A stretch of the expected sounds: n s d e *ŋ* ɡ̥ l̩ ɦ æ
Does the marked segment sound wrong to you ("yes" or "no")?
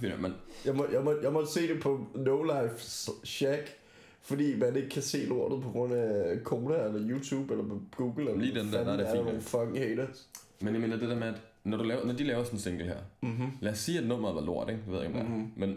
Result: no